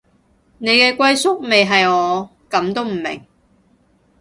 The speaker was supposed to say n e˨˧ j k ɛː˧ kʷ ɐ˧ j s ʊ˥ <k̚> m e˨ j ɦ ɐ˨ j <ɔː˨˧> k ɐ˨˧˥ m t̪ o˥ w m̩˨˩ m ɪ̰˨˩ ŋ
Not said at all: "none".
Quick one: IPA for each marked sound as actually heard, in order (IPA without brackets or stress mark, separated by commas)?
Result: k̚, ɔː˨˧